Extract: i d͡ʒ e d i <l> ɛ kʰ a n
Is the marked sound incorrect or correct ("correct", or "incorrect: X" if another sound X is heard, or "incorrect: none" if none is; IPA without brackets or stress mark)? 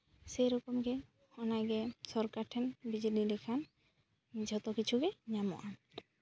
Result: correct